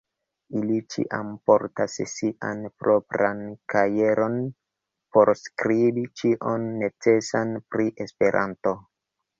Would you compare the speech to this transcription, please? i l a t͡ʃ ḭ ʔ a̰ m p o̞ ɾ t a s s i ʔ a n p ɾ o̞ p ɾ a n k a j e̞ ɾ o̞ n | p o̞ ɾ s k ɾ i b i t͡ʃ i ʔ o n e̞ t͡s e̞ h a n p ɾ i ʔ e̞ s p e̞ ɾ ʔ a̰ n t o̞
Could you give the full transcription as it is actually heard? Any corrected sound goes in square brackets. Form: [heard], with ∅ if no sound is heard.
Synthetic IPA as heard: i l [i] t͡ʃ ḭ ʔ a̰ m p o̞ ɾ t a s s i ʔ a n p ɾ o̞ p ɾ a n k a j e̞ ɾ o̞ n | p o̞ ɾ s k ɾ i b i t͡ʃ i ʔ o [nː] e̞ t͡s e̞ [s] a n p ɾ i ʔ e̞ s p e̞ ɾ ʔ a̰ n t o̞